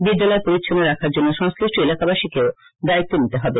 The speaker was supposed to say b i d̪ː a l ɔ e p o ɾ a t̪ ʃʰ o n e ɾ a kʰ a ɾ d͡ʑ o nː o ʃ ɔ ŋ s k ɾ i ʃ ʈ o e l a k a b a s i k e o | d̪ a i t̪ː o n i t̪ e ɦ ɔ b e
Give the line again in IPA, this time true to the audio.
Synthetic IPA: b i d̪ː a l ɔ e p o ɾ i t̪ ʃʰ o n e ɾ a kʰ a ɾ d͡ʑ o nː o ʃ ɔ ŋ s k ɾ i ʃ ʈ o e l a k a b a ʃ i k e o | d̪ a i t̪ː o n i t̪ e ɦ ɔ b e